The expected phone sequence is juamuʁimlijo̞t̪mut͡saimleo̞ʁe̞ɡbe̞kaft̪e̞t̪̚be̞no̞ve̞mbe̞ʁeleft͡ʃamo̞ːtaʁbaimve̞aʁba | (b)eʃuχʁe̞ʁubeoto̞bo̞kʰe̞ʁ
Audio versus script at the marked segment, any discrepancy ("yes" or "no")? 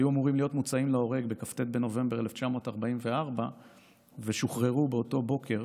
yes